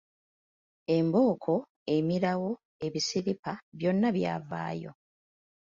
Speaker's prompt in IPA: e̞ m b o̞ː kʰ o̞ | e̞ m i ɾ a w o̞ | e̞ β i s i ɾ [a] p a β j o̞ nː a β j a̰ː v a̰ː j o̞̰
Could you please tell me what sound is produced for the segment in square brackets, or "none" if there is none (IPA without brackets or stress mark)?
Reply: i